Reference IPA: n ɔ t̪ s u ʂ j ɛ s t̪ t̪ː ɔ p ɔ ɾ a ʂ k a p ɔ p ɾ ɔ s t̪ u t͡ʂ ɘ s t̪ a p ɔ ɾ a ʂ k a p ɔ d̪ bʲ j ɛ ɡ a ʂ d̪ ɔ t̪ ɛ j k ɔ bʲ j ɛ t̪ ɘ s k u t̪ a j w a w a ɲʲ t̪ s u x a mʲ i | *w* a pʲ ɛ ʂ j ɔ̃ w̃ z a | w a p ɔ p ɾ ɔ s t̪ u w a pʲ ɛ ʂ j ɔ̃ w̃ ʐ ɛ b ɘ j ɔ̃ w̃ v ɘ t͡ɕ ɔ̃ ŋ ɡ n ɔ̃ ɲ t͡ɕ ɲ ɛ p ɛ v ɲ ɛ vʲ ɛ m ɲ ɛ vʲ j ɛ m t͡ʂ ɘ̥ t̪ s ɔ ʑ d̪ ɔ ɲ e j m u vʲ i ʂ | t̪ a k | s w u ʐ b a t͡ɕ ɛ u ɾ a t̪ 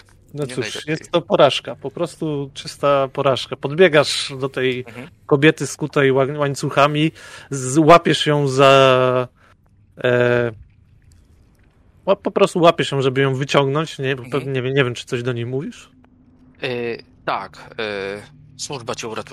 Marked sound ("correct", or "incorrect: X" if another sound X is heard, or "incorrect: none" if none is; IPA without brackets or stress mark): correct